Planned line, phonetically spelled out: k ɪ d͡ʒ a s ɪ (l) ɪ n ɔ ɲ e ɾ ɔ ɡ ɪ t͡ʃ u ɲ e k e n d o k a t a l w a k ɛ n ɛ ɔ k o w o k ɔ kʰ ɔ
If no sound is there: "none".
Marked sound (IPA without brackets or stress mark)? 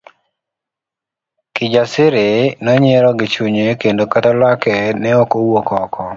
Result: ɾ